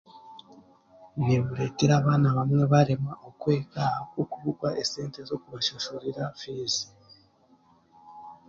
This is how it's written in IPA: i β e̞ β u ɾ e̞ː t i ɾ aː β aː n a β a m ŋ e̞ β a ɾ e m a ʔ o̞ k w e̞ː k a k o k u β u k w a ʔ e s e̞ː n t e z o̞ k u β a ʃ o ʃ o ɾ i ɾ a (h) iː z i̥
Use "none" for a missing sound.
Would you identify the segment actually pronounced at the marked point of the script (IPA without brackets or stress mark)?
f